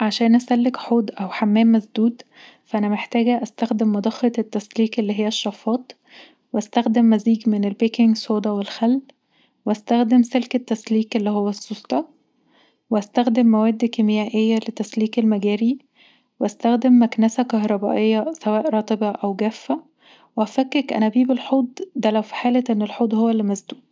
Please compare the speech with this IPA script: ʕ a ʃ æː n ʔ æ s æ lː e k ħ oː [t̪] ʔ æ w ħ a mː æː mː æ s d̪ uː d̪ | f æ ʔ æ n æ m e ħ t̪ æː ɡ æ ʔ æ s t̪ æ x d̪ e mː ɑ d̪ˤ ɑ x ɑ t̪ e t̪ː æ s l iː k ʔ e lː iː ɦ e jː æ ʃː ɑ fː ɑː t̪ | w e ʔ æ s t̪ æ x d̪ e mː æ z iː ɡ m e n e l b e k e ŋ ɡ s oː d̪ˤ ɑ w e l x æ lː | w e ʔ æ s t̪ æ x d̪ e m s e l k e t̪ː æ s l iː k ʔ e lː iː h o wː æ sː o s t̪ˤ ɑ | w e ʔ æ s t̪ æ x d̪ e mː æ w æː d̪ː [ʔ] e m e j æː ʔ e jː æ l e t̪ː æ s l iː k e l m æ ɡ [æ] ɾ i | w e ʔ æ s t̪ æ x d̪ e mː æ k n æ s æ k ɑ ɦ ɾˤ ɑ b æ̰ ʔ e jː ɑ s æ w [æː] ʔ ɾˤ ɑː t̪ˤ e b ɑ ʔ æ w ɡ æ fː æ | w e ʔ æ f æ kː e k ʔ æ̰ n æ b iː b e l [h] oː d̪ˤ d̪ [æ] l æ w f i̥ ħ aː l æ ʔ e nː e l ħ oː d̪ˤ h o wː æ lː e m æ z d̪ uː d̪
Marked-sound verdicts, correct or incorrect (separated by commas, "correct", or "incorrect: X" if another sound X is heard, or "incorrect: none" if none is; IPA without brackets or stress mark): incorrect: d̪, incorrect: k, incorrect: æː, correct, incorrect: ħ, correct